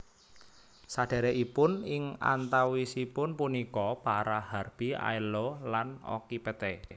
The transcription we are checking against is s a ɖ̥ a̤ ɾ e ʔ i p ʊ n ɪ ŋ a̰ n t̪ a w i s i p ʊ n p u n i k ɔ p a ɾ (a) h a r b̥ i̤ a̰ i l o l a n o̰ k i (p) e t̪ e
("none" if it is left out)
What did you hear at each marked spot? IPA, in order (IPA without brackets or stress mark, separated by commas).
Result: a, p